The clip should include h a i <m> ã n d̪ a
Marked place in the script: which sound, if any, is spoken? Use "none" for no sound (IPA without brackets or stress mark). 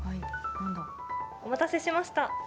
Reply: n